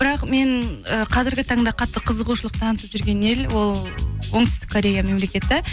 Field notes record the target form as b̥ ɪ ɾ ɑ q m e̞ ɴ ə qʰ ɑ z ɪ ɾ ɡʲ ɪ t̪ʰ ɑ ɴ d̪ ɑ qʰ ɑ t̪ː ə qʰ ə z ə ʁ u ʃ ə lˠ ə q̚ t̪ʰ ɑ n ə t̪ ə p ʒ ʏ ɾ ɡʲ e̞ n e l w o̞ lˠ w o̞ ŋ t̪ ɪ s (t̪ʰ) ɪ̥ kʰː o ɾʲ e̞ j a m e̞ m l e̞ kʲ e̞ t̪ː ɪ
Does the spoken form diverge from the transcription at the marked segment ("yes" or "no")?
yes